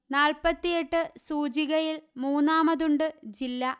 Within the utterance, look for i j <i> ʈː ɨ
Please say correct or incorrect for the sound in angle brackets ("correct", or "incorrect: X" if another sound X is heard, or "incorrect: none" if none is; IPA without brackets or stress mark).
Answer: incorrect: e